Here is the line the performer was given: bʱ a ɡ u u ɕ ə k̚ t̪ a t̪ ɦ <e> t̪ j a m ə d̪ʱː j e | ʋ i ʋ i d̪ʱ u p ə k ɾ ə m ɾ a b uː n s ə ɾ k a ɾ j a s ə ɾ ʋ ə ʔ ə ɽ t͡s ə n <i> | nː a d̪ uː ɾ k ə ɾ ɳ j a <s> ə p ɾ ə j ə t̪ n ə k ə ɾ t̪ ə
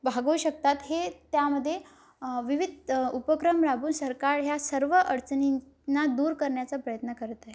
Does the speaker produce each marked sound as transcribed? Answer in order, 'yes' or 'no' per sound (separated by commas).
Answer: yes, yes, no